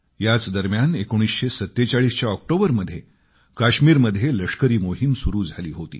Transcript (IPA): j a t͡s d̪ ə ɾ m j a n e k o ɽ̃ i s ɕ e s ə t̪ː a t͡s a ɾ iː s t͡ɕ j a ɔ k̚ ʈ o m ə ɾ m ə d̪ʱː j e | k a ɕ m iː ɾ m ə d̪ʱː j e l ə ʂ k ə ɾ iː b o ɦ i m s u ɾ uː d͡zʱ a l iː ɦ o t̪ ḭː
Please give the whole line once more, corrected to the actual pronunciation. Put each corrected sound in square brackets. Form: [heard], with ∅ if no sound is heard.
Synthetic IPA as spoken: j a t͡s d̪ ə ɾ m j a n e k o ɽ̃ i s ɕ e s ə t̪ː [e] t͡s a [ɭ] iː s t͡ɕ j a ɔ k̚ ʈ o [b] ə ɾ m ə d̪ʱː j e | k a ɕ m iː ɾ m ə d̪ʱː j e l ə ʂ k ə ɾ iː [m] o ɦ i m s u ɾ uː d͡zʱ a l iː ɦ o t̪ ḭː